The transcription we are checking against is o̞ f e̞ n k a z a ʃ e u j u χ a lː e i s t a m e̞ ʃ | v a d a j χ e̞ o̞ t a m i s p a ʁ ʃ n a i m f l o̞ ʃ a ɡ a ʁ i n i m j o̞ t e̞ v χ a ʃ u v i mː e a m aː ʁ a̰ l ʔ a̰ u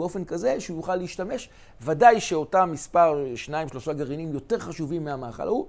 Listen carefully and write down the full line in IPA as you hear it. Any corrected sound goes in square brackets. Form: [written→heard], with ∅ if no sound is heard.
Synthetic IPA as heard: o̞ f e̞ n k a z [a→e] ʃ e u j u χ a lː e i [s→ʃ] t a m e̞ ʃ | v a d a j [χ→ʃ] e̞ o̞ t a m i s p a ʁ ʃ n a i m [f→ʃ] l o̞ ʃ a ɡ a ʁ i n i m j o̞ t e̞ [v→ʁ] χ a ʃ u v i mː e a m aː [ʁ→χ] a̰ l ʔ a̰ u